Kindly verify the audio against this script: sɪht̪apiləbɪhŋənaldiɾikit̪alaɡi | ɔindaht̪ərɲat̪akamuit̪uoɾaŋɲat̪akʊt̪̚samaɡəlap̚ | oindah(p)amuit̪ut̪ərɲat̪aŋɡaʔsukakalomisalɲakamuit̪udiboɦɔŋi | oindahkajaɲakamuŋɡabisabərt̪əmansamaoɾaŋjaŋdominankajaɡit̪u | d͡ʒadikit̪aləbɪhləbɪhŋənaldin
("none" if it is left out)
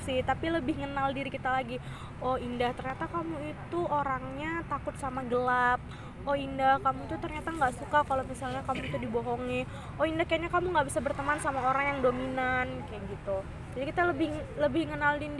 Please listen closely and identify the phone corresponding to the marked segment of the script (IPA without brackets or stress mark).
k